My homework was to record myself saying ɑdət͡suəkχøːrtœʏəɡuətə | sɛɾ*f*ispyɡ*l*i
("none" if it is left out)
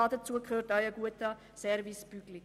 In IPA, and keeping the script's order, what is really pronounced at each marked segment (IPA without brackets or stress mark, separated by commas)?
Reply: v, l